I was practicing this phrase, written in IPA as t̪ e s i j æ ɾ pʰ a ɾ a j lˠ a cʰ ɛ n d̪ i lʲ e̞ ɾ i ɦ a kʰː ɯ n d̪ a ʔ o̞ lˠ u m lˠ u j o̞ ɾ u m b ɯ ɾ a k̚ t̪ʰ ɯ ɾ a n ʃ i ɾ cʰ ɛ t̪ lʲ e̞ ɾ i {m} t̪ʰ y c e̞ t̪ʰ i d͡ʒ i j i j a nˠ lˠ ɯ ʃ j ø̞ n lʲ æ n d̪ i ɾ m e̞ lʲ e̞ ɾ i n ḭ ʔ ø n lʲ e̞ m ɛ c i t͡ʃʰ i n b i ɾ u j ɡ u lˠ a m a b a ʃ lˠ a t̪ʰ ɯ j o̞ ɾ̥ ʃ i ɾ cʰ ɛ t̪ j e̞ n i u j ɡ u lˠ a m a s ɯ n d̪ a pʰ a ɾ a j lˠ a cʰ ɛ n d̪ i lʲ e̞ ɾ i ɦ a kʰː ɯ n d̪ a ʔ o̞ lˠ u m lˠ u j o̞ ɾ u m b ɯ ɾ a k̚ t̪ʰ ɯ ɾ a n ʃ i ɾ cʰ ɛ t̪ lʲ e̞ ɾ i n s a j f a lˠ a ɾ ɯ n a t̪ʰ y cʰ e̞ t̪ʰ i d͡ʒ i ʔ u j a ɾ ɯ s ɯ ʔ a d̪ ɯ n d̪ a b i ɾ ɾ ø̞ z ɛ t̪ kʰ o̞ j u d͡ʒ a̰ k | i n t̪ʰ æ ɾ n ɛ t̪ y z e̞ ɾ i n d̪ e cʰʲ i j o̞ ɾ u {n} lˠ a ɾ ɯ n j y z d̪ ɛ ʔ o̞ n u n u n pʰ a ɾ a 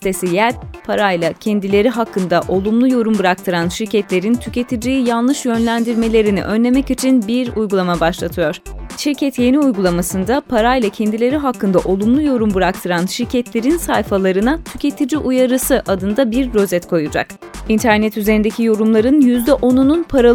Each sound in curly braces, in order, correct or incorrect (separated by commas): incorrect, incorrect